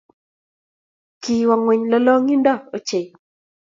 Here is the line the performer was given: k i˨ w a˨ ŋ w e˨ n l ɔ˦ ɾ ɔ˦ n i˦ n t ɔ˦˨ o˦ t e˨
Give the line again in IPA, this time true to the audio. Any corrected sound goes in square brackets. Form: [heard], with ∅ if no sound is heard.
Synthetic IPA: k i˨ w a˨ ŋ w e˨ [ɲ] l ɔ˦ [l] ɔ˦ [ŋ] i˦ n [d] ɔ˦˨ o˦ [t͡ʃ] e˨